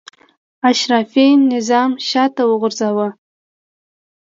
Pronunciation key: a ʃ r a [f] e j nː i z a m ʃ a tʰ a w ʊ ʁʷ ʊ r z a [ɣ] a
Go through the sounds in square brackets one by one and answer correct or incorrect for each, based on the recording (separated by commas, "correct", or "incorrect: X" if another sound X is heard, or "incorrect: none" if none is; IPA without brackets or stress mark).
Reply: correct, incorrect: w